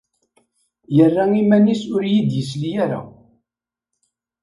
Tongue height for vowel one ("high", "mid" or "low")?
mid